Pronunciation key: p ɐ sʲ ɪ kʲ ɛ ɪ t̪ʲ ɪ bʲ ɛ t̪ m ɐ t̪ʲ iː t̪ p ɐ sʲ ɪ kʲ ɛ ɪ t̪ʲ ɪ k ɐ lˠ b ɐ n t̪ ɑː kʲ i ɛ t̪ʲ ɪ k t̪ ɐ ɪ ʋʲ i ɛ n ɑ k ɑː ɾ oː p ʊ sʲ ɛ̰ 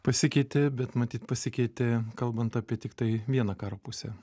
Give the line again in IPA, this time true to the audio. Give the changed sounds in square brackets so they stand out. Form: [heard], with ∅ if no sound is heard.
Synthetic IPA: p ɐ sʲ ɪ kʲ ɛ ɪ t̪ʲ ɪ bʲ ɛ t̪ m ɐ t̪ʲ iː t̪ p ɐ sʲ ɪ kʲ ɛ ɪ t̪ʲ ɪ k ɐ lˠ b ɐ n t̪ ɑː [pʲ] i ɛ t̪ʲ ɪ k t̪ ɐ ɪ ʋʲ i ɛ n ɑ k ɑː ɾ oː p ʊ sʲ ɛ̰